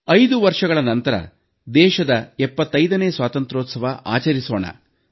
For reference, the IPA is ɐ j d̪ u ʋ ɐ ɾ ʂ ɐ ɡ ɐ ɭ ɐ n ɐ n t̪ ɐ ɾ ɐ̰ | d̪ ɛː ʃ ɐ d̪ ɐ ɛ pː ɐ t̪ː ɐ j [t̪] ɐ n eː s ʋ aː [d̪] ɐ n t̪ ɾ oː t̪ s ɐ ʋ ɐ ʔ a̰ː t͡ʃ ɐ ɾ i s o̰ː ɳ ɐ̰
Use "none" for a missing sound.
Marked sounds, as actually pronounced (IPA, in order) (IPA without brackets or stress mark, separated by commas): d̪, t̪